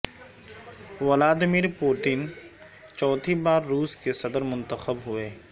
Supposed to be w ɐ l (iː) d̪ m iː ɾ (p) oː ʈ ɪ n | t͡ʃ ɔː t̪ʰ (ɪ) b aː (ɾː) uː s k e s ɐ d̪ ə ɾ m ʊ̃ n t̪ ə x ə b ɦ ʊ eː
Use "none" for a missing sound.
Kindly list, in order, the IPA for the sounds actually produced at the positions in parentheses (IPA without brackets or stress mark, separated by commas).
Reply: aː, p, i, ɾː